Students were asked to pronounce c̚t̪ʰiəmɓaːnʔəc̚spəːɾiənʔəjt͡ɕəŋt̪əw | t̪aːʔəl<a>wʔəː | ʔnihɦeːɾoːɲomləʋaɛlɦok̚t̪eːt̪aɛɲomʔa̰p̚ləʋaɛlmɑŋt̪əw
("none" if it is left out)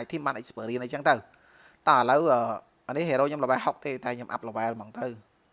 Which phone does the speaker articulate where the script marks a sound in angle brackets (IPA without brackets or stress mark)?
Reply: ə